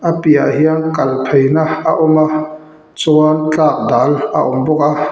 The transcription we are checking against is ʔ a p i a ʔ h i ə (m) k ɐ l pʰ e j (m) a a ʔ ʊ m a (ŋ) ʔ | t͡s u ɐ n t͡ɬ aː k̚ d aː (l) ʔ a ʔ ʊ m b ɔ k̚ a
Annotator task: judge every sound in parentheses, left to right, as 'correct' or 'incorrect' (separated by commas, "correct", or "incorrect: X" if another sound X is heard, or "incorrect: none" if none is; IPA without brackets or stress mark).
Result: incorrect: ŋ, incorrect: n, incorrect: none, correct